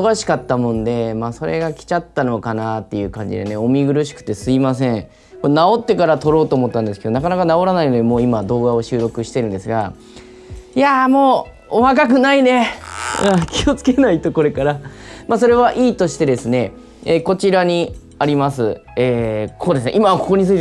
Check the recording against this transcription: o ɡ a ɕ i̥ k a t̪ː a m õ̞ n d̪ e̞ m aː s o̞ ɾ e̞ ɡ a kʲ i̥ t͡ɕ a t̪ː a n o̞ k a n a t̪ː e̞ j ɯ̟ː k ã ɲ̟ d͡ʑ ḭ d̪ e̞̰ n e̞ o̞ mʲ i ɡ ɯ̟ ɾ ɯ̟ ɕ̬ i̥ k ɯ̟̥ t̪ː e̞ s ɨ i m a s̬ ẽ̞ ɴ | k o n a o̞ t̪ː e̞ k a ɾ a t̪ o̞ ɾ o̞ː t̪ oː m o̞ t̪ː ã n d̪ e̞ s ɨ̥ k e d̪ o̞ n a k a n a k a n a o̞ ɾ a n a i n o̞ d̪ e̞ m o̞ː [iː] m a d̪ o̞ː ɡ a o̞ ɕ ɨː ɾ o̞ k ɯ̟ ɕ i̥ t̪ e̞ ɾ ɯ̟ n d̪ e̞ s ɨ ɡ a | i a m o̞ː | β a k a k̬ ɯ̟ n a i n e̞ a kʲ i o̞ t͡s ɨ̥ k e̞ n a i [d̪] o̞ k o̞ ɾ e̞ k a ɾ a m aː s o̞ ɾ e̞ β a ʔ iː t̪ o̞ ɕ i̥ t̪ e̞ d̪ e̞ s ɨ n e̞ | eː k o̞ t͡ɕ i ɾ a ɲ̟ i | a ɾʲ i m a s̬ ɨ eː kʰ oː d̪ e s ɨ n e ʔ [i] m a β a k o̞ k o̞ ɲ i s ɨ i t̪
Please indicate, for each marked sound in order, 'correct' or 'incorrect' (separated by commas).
incorrect, incorrect, correct